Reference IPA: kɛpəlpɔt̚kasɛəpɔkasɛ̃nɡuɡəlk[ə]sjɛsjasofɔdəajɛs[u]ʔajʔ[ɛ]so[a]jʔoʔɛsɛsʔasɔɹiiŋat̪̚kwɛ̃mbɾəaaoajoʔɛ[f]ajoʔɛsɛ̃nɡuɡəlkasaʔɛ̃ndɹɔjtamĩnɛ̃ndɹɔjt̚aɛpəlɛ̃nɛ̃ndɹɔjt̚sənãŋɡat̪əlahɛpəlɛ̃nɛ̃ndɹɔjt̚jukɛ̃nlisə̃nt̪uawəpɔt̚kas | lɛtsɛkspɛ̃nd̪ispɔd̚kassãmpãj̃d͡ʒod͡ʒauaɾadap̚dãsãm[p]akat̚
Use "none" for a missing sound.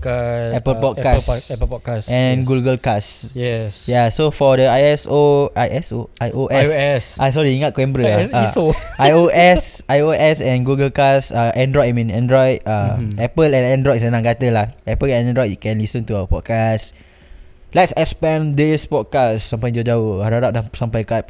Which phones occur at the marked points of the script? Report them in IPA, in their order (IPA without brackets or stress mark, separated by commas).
a, o, ɛ, a, s, p